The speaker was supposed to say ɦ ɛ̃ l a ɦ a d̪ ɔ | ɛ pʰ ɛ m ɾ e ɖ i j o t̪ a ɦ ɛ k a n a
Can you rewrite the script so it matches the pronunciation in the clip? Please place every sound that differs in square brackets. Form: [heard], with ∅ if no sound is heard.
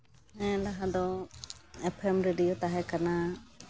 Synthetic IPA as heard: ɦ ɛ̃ l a ɦ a d̪ ɔ | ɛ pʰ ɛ m ɾ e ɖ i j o t̪ a ɦ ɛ k a n a